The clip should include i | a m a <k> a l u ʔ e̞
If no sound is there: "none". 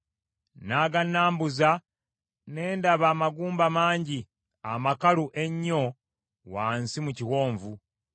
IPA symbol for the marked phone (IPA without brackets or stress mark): k